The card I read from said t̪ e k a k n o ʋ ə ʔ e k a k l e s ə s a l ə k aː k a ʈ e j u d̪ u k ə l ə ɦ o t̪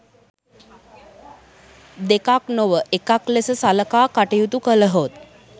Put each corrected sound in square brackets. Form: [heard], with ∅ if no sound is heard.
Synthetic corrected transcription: [d̪] e k a k n o ʋ ə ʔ e k a k l e s ə s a l ə k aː k a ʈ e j u [t̪] u k ə l ə ɦ o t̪